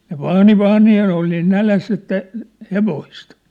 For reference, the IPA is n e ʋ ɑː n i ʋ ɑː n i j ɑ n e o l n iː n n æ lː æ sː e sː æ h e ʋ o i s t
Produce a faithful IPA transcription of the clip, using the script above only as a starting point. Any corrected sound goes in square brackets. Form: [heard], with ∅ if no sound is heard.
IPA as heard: n e ʋ ɑː n i ʋ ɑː n i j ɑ n e o l n iː n n æ [l] æ sː e [tː] æ h e ʋ o i s t